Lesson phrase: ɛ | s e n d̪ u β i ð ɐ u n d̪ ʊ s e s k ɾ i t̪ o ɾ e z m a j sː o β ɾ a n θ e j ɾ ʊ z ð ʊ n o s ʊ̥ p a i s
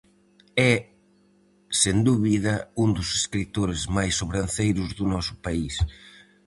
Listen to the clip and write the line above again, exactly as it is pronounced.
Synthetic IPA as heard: ɛ | s e n d̪ u β i ð ɐ u n d̪ ʊ s e s k ɾ i t̪ o ɾ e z m a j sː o β ɾ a n θ e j ɾ ʊ z ð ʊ n ɔ s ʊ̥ p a i s